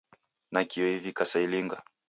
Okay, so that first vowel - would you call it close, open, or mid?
open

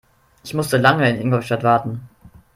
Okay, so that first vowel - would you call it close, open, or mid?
close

